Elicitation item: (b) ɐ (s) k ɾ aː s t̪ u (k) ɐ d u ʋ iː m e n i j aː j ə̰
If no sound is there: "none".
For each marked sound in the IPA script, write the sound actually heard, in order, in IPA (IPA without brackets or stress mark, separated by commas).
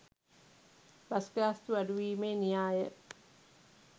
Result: b, s, none